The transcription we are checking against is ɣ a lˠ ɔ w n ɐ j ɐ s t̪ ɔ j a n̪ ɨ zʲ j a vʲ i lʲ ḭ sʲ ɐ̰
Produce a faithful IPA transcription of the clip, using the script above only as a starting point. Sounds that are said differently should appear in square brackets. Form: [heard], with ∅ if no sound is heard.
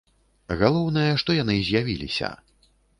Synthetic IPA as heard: ɣ a lˠ ɔ w n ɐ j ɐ [ʂ] t̪ ɔ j a n̪ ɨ zʲ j a vʲ i lʲ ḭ sʲ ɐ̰